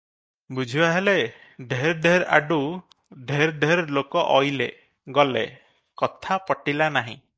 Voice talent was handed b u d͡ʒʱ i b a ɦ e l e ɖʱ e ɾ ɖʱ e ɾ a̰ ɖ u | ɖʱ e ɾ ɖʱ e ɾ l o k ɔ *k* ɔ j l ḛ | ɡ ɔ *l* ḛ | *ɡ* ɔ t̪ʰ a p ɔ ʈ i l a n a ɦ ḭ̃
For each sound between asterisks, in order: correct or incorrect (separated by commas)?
incorrect, correct, incorrect